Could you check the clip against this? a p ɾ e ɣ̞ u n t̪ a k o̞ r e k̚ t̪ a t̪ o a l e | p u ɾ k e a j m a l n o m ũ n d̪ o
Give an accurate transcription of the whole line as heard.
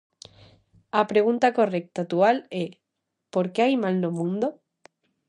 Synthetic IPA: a p ɾ e ɣ̞ u n t̪ a k o̞ r e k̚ t̪ a t̪ u a l e | p o ɾ k e a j m a l n o m ũ n d̪ o